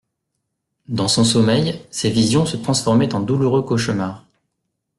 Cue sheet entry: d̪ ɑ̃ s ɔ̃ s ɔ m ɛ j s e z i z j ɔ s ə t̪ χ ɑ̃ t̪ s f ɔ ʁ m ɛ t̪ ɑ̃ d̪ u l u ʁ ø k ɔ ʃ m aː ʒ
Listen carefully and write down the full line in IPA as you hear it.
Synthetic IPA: d̪ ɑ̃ s ɔ̃ s ɔ m ɛ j s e v i z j ɔ̃ s ə t̪ χ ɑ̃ s f ɔ ʁ m ɛ t̪ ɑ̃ d̪ u l u ʁ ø k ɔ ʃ m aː ʁ